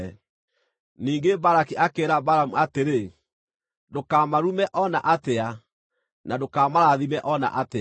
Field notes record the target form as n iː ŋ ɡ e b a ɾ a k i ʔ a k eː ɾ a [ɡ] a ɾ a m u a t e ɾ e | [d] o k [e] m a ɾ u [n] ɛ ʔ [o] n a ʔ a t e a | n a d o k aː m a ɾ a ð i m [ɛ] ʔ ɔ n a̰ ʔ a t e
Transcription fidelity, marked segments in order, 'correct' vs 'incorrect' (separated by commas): incorrect, correct, incorrect, incorrect, incorrect, correct